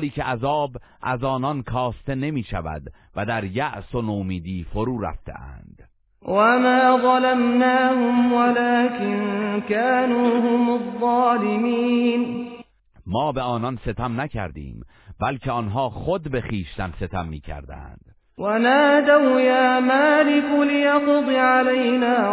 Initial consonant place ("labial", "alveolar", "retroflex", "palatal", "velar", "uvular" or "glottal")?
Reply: alveolar